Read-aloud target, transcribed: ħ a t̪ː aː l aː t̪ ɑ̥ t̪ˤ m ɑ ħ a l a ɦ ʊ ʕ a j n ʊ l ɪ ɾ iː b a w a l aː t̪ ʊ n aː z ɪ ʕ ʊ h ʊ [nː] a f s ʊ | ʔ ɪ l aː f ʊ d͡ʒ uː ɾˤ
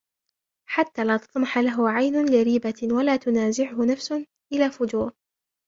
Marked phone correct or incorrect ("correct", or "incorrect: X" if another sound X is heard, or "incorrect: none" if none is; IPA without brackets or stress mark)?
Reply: incorrect: n